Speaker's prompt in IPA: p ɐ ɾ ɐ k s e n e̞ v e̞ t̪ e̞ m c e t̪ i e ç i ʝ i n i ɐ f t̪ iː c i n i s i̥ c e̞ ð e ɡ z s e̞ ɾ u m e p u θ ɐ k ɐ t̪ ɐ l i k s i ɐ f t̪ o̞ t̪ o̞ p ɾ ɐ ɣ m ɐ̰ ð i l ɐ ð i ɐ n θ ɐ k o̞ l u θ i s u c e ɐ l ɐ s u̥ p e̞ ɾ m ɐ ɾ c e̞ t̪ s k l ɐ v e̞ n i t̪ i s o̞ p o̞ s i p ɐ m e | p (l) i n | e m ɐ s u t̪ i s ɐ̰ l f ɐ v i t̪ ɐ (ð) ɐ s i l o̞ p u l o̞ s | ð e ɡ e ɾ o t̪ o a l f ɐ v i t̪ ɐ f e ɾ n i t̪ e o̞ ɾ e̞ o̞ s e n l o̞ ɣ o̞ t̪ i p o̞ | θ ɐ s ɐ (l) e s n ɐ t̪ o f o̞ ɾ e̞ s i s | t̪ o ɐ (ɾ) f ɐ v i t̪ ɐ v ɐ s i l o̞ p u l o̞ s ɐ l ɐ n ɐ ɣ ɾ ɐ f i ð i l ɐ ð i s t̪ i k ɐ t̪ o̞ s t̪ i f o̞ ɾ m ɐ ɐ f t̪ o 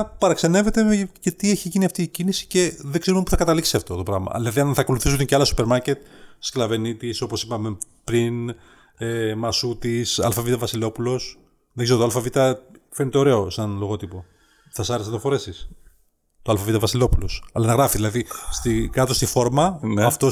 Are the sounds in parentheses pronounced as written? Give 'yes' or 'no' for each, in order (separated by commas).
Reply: no, no, no, no